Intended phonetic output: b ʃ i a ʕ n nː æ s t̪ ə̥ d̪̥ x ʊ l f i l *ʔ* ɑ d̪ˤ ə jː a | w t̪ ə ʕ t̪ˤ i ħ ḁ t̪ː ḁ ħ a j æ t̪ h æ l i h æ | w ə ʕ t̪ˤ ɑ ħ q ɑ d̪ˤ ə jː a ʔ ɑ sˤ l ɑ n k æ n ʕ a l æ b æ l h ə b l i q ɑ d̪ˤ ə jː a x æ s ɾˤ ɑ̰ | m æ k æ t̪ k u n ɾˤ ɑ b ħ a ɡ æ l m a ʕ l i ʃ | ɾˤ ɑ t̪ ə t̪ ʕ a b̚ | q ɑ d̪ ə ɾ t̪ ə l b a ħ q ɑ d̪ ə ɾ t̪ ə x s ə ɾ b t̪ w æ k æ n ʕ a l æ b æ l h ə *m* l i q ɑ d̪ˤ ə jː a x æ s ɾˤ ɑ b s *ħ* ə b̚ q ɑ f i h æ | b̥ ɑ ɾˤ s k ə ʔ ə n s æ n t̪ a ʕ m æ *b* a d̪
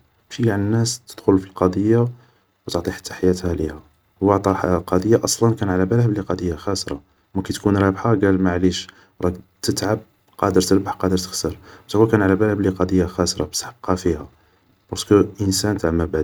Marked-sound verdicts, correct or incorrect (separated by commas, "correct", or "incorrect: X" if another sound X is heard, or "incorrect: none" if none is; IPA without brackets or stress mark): incorrect: q, incorrect: b, correct, correct